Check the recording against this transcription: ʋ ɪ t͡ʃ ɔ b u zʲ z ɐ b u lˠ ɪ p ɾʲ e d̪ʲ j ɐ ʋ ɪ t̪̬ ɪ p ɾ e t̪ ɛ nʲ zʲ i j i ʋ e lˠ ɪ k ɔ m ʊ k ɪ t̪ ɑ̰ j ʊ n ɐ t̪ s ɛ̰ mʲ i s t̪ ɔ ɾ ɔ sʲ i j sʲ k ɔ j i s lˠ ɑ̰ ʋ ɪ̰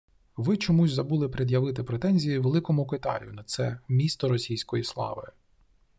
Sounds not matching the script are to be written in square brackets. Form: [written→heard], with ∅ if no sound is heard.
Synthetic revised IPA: ʋ ɪ t͡ʃ ɔ [b→m] u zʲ z ɐ b u lˠ ɪ p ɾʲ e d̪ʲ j ɐ ʋ ɪ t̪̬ ɪ p ɾ e t̪ ɛ nʲ zʲ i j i ʋ e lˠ ɪ k ɔ m ʊ k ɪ t̪ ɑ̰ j ʊ n ɐ t̪ s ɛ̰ mʲ i s t̪ ɔ ɾ ɔ sʲ i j sʲ k ɔ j i s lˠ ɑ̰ ʋ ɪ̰